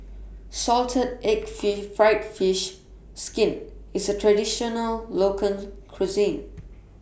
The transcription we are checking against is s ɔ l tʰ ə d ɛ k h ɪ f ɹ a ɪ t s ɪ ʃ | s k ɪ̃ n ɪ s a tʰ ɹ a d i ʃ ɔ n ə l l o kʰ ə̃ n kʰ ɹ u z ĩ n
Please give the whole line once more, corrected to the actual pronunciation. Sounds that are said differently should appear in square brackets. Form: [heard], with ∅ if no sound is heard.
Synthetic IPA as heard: s ɔ l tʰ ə d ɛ k [f] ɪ f ɹ a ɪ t [f] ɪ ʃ | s k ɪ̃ n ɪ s [ə] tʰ ɹ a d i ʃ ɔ n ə l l o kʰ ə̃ n kʰ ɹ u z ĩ n